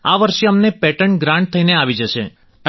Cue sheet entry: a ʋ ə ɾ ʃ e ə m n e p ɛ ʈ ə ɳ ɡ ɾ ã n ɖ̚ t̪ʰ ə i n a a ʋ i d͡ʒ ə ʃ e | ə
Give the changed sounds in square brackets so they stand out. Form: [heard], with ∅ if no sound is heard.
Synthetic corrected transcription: a ʋ ə ɾ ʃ e ə m n e p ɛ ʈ ə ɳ ɡ ɾ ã [ɳ] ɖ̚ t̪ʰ ə i n [e] a ʋ i d͡ʒ ə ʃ e | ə